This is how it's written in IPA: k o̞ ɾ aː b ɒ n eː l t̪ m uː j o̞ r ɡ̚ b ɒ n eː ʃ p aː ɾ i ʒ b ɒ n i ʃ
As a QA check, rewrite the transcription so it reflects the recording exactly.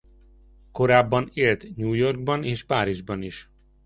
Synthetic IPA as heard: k o̞ ɾ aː bː ɒ n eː l t̪ ɲ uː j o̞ r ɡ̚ b ɒ n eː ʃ p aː ɾ i ʒ b ɒ n i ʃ